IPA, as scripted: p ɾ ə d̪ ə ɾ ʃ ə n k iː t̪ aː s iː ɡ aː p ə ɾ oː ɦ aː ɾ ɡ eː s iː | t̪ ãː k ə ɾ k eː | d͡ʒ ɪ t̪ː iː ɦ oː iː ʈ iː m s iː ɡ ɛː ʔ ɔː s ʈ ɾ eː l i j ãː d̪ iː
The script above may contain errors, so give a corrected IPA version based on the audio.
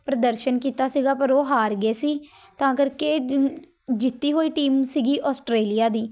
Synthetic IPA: p ɾ ə d̪ ə ɾ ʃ ə n k iː t̪ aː s iː ɡ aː p ə ɾ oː ɦ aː ɾ ɡ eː s iː | t̪ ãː k ə ɾ k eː | d͡ʒ ɪ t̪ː iː ɦ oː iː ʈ iː m s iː ɡ iː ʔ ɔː s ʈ ɾ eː l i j aː d̪ iː

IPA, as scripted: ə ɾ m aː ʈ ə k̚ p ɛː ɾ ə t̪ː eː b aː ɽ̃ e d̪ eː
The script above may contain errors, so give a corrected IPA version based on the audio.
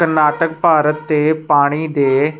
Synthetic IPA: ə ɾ n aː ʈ ə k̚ p aː ɾ ə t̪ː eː p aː ɽ̃ i d̪ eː

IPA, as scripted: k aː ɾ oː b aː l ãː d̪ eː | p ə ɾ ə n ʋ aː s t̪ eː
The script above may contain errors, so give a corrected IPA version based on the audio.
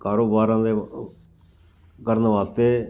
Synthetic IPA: k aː ɾ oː b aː ɾ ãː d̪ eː | k ə ɾ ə n ʋ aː s t̪ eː

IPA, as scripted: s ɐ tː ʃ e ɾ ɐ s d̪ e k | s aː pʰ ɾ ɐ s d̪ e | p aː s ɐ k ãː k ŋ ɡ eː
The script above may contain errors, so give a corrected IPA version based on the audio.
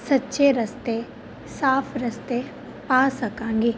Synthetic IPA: s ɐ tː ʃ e ɾ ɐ s t̪ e | s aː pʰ ɾ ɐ s t̪ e | p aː s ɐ k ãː ŋ ɡ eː

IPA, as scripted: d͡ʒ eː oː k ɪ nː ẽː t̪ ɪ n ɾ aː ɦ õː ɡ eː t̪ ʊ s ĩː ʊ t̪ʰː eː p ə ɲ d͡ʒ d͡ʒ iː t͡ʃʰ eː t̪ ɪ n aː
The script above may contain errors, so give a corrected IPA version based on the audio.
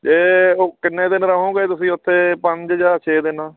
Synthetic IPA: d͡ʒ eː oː k ɪ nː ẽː d̪ ɪ n ɾ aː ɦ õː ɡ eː t̪ ʊ s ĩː ʊ t̪ʰː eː p ə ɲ d͡ʒ d͡ʒ aː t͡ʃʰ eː d̪ ɪ n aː

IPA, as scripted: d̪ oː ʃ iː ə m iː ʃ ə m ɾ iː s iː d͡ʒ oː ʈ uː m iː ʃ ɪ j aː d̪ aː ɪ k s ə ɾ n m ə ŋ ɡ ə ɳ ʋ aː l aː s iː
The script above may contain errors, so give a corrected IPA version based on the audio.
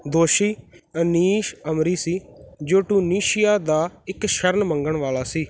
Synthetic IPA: d̪ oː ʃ iː ə n iː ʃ ə m ɾ iː s iː d͡ʒ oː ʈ uː n iː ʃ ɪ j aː d̪ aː ɪ k ʃ ə ɾ n m ə ŋ ɡ ə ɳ ʋ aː l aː s iː

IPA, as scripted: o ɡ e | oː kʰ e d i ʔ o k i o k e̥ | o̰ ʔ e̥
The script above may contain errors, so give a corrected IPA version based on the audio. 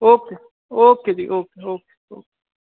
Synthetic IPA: o k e | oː k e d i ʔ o k e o k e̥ | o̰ k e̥

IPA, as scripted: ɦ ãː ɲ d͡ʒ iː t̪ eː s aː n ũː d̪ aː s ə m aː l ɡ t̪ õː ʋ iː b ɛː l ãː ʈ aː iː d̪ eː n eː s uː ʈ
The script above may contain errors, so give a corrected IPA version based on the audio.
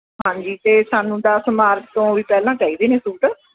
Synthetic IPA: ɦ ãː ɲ d͡ʒ iː t̪ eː s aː n ũː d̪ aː s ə m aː ɾ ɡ t̪ õː ʋ iː p ɛː l ãː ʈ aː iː d̪ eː n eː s uː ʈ

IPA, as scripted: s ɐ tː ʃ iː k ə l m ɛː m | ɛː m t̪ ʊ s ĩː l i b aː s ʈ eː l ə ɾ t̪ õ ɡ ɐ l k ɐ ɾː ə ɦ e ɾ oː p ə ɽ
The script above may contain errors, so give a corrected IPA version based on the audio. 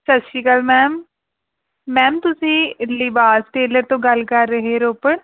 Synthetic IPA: s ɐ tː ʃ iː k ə l m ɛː m | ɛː m t̪ ʊ s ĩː l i b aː s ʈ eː l ə ɾ t̪ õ ɡ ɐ l k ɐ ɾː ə ɦ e ɾ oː p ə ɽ

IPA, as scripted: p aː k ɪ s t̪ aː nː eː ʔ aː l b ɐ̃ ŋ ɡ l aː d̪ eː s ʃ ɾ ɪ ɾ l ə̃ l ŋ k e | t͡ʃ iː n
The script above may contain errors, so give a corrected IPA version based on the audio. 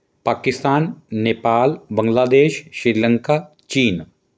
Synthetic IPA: p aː k ɪ s t̪ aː nː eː p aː l b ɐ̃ ŋ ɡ l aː d̪ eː ʃ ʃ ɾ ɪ ɾ l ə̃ ŋ k a | t͡ʃ iː n

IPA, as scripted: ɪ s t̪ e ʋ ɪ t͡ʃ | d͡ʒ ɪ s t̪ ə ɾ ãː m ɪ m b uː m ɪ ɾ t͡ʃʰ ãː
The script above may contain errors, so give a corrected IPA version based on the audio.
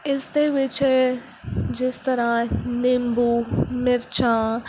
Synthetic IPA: ɪ s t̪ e ʋ ɪ t͡ʃ | d͡ʒ ɪ s t̪ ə ɾ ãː n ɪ m b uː m ɪ ɾ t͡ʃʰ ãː

